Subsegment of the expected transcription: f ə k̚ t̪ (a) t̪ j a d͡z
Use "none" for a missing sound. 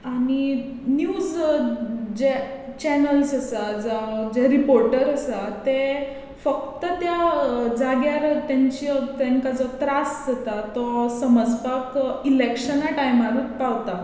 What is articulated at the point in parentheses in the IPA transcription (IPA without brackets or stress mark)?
ə